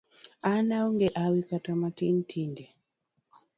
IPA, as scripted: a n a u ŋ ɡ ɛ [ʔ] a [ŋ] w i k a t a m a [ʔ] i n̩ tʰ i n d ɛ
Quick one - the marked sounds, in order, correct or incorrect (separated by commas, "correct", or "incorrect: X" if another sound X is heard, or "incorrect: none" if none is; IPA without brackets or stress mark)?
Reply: correct, incorrect: none, incorrect: t